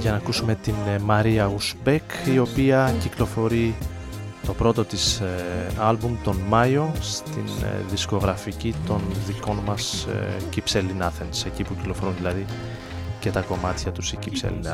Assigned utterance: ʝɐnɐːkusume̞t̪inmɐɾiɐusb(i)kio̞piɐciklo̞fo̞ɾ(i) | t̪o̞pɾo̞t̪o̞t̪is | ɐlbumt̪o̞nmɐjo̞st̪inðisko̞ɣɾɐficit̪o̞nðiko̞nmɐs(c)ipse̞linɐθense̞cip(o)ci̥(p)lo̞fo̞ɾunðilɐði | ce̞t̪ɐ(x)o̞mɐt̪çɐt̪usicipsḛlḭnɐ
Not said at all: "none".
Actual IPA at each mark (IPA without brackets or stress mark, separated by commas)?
e, i, c, u, k, k